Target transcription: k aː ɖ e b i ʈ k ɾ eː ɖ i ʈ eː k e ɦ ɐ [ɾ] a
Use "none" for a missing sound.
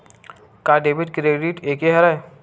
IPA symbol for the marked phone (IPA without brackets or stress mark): ɾ